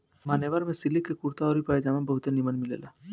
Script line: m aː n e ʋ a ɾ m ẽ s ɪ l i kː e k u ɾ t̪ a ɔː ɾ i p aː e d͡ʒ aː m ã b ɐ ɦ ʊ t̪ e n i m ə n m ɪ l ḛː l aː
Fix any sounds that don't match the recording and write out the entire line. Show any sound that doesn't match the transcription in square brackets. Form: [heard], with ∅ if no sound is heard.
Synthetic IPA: m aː n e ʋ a ɾ m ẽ s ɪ l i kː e k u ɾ t̪ a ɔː ɾ i p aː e d͡ʒ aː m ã b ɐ ɦ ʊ t̪ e n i m ə n m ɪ l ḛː l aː